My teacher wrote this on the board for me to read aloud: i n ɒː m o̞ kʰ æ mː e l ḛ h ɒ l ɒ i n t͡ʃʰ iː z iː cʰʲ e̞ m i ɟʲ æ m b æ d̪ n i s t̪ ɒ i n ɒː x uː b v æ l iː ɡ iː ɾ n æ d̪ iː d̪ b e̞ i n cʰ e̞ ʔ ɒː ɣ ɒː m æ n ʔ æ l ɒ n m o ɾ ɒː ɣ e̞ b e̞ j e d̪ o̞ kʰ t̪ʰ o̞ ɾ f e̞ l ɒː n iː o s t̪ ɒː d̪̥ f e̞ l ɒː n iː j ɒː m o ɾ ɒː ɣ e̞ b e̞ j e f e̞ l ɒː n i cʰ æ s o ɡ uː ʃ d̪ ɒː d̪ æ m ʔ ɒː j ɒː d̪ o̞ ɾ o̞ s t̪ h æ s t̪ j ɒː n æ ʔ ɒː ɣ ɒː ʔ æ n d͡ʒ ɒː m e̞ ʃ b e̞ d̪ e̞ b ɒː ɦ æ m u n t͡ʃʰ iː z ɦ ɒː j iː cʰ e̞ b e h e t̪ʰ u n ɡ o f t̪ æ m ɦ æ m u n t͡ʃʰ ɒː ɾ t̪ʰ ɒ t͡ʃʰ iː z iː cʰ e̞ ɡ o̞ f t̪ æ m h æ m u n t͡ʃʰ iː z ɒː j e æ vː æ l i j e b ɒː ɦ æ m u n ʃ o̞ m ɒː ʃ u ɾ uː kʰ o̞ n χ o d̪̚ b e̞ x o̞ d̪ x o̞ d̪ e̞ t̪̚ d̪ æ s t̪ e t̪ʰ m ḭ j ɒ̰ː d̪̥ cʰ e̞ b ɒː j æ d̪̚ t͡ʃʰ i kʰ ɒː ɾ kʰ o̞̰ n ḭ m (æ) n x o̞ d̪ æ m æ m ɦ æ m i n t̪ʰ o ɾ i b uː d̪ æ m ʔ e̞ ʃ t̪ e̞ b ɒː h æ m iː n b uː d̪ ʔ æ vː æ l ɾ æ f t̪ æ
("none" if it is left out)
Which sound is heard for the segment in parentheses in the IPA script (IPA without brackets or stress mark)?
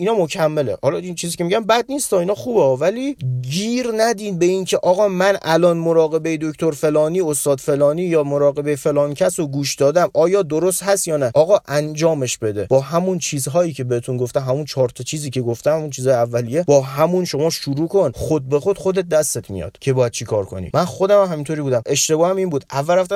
æ